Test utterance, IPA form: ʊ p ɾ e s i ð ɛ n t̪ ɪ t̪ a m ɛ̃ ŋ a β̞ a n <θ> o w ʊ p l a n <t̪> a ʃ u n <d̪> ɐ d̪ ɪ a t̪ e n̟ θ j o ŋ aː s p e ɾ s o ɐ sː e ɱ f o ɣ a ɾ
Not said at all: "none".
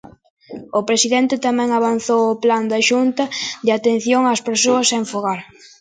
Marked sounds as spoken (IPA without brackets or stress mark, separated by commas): θ, d̪, t̪